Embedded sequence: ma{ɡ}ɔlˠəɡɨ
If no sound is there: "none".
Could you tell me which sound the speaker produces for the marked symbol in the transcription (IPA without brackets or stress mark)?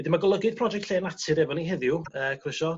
ɡ